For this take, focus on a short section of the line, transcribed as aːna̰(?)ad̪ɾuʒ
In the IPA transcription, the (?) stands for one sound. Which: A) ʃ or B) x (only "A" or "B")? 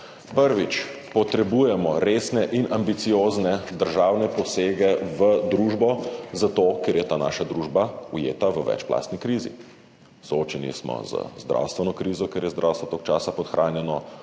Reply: A